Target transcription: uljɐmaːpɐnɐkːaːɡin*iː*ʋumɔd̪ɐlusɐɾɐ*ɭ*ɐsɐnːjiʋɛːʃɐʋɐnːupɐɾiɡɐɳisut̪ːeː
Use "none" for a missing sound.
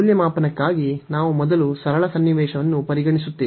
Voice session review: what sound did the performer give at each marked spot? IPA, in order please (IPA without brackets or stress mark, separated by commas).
aː, ɭ